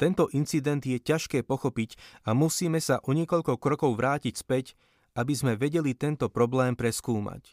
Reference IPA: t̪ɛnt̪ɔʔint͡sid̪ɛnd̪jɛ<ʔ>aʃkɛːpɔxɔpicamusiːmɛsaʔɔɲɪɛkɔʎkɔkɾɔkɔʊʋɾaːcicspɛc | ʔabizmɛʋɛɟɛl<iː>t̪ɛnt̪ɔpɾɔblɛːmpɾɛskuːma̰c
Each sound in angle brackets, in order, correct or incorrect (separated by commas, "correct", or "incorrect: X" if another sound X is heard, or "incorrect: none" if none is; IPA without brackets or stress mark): incorrect: c, incorrect: i